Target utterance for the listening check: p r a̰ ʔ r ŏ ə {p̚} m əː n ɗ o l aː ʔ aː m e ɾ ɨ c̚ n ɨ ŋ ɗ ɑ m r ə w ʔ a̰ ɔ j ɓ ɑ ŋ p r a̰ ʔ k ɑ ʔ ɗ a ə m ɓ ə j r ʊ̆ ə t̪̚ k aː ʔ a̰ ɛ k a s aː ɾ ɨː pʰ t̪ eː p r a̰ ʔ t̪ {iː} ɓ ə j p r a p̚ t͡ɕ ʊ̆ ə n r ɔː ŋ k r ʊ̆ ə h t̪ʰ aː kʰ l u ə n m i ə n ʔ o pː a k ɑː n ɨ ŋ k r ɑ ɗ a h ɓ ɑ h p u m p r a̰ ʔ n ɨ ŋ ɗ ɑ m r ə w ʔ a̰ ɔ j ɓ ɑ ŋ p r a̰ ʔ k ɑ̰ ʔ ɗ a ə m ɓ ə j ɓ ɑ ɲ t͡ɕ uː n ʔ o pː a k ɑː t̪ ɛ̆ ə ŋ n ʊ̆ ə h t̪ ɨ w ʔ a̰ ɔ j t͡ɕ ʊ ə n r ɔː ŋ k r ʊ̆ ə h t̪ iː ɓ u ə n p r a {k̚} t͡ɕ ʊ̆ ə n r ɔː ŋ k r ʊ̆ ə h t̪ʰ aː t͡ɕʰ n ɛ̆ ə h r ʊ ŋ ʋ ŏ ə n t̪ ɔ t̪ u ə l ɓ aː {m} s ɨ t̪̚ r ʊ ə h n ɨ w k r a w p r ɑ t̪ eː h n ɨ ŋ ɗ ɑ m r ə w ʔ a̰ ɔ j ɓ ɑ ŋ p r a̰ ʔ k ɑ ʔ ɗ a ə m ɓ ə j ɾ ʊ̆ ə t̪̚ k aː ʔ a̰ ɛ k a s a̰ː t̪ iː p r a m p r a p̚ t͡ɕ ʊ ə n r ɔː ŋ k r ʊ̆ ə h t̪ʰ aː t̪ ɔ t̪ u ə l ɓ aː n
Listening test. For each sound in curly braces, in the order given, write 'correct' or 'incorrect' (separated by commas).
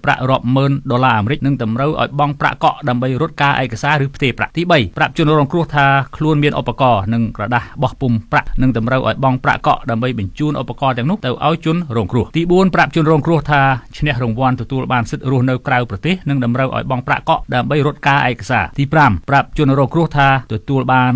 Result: correct, correct, incorrect, incorrect